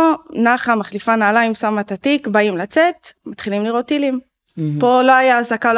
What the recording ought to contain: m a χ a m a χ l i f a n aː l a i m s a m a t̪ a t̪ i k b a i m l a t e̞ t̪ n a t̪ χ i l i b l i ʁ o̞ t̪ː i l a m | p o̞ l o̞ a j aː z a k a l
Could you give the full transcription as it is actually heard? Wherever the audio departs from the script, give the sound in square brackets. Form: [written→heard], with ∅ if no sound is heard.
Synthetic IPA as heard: [m→n] a χ a m a χ l i f a n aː l a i m s a m a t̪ a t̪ i k b a i m l a [t→t͡s] e̞ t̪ [n→m] a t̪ χ i l i [b→m] l i ʁ o̞ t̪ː i l [a→i] m | p o̞ l o̞ a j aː z a k a l